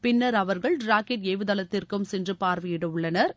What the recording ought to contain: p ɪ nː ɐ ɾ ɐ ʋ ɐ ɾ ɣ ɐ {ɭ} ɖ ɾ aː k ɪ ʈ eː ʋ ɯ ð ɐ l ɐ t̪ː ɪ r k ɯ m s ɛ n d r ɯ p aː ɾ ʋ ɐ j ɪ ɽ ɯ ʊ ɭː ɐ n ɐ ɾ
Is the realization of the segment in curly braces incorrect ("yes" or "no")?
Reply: no